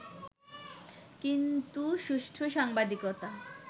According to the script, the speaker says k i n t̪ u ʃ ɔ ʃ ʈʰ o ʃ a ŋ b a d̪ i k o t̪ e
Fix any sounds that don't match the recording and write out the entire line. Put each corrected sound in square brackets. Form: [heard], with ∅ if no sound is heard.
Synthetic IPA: k i n t̪ u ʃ [u] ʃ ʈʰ o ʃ a ŋ b a d̪ i k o t̪ [a]